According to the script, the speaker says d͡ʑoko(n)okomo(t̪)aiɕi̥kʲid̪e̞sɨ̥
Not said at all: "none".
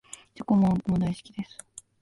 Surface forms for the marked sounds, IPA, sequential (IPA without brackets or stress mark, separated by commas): m, d̪